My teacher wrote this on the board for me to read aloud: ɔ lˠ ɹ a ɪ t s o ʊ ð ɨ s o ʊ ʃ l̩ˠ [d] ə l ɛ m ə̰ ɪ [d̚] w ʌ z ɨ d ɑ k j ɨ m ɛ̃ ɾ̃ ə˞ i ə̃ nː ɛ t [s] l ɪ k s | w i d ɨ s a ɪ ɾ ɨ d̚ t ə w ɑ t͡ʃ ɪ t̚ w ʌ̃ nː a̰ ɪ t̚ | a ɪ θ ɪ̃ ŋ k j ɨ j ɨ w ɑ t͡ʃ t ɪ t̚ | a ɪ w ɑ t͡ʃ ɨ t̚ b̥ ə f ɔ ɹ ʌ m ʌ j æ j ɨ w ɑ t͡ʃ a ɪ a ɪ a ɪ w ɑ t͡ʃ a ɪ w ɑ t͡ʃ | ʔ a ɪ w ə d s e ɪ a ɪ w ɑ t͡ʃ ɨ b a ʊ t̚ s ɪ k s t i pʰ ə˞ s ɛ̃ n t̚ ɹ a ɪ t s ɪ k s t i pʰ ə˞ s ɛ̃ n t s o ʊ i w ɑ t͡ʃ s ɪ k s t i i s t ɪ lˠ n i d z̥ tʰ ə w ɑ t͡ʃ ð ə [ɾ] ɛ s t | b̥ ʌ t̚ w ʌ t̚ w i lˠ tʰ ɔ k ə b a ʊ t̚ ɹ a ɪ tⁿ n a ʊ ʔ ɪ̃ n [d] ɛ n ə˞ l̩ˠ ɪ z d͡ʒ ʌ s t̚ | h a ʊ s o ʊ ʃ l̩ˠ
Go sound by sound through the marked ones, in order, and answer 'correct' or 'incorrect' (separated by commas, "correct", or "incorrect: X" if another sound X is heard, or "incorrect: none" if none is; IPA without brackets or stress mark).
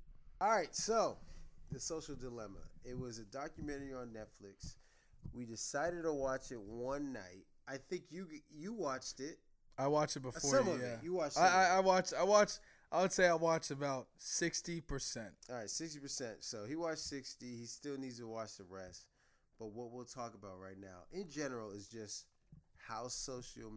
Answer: correct, incorrect: t̚, incorrect: f, incorrect: ɹ, incorrect: d͡ʒ